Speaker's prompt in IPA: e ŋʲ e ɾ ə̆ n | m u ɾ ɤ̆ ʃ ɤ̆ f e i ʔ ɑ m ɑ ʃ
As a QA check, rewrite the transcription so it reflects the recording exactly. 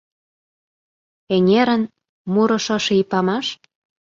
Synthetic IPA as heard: e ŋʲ e ɾ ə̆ n | m u ɾ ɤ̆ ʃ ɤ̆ ʃ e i p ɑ m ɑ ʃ